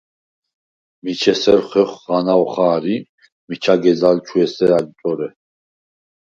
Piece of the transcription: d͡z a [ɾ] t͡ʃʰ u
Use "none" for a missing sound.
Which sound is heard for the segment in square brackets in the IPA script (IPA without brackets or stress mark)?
l